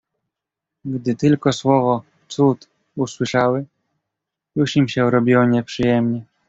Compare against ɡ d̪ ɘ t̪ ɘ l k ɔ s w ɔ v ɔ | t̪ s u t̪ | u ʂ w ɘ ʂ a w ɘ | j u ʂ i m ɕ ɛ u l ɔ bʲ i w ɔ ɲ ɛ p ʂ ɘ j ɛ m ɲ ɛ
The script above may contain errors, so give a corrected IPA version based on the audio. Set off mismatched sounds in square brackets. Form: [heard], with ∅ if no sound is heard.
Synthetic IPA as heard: ɡ d̪ ɘ t̪ ɘ l k ɔ s w ɔ v ɔ | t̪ s u t̪ | u [s] w ɘ ʂ a w ɘ | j u ʂ i m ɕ ɛ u [ɾ] ɔ bʲ i w ɔ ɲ ɛ p ʂ ɘ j ɛ m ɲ ɛ